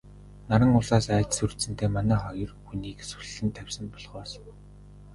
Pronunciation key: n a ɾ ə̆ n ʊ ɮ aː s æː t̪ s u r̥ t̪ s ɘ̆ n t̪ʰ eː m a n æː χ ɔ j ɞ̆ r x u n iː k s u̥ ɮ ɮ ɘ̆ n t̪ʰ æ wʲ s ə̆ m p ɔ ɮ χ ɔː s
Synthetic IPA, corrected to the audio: n a ɾ ə̆ ŋ ʊ ɮ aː s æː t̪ s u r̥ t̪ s ɘ̆ n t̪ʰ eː m a n æː χ ɔ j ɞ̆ r x u n iː k s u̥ ɮ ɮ ɘ̆ n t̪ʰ æ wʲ s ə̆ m p ɔ ɮ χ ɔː s